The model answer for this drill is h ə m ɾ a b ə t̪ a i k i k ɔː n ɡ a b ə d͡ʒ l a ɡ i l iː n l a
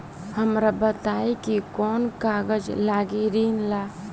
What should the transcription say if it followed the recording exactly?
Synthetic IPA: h ə m ɾ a b ə t̪ a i k i k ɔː n k a ɡ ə d͡ʒ l a ɡ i ɾ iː n l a